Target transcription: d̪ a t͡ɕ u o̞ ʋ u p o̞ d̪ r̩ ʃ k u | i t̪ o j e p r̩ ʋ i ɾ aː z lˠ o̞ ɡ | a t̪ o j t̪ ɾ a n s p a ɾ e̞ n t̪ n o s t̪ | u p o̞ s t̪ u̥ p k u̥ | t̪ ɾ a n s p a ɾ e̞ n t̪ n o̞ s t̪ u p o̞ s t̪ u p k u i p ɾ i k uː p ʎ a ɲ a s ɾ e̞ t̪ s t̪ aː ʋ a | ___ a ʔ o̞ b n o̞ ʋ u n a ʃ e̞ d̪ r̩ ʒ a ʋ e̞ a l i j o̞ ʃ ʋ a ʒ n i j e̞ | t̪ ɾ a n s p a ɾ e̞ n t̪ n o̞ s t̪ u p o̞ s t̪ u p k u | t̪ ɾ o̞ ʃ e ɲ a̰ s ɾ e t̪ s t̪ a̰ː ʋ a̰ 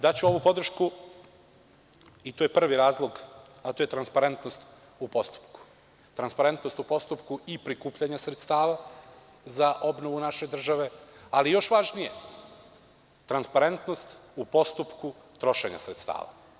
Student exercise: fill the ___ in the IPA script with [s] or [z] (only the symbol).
z